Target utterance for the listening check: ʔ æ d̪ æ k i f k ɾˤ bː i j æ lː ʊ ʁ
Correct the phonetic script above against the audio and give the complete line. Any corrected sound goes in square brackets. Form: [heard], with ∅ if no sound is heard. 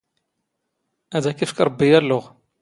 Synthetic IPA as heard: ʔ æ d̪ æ k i f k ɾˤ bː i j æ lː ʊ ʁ